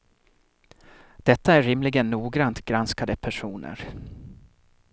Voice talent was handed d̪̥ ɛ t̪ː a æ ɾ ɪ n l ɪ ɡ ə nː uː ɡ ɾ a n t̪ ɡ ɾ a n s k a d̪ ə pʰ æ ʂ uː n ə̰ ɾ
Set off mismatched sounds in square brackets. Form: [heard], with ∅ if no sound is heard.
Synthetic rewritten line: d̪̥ ɛ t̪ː a æ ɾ ɪ [m] l ɪ ɡ ə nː uː ɡ ɾ a n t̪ ɡ ɾ a n s k a d̪ ə pʰ æ ʂ uː n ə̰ ɾ